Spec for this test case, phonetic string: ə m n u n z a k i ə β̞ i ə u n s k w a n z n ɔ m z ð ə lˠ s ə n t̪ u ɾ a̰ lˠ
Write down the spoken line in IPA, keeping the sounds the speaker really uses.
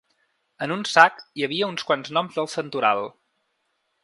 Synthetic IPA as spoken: ə n u n s a k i ə β̞ i ə u n s k w a n z n ɔ m z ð ə lˠ s ə n t̪ u ɾ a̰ lˠ